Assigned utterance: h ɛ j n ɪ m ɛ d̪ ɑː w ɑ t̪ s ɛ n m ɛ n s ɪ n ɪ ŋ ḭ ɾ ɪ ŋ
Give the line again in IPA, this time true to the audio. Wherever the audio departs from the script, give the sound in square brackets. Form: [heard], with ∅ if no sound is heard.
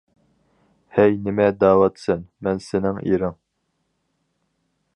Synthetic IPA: h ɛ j n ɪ m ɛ d̪ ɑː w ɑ t̪ s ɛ n m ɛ n s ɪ n ɪ ŋ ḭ ɾ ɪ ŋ